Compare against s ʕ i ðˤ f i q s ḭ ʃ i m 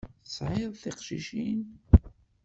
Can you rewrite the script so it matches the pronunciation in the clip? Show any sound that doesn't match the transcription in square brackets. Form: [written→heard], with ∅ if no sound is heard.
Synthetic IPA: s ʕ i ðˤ [f→θ] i q [s→ʃ] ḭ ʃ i [m→n]